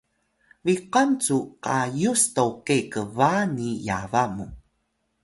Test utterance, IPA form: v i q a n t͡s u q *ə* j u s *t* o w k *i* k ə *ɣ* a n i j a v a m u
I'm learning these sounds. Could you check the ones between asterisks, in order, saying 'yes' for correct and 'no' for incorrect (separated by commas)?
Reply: no, yes, no, no